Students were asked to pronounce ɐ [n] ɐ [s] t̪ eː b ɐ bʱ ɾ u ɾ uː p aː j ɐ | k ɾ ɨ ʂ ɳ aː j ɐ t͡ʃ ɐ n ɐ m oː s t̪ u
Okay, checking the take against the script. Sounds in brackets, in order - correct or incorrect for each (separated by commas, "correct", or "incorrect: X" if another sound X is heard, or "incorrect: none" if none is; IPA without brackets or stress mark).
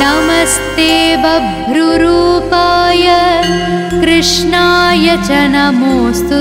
incorrect: m, correct